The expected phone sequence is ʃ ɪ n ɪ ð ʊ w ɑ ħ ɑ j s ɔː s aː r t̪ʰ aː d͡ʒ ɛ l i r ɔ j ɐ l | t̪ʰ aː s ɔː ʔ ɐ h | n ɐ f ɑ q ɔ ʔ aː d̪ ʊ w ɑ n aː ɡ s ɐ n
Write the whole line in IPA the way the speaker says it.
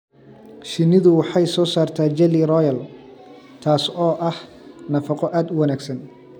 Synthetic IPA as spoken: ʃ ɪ n ɪ ð ʊ w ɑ ħ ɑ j s ɔː s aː r t̪ʰ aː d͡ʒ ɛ l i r ɔ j ɐ l | t̪ʰ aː s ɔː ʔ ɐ h | n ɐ f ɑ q ɔ ʔ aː d̪ ʊ w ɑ n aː ɡ s ɐ n